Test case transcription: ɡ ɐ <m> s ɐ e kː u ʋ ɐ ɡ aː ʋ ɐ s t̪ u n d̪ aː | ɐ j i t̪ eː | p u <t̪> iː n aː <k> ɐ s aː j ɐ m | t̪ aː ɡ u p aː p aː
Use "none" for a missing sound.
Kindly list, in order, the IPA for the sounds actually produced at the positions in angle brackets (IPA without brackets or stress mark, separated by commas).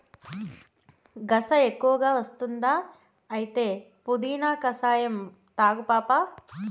none, d̪, k